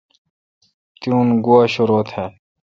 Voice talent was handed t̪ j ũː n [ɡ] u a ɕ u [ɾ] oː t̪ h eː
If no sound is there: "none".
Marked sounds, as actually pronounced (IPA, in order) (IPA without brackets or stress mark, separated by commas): ɡ, ɾ